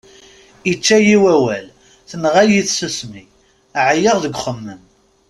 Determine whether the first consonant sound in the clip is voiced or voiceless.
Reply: voiceless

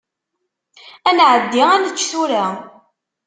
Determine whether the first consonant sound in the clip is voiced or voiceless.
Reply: voiced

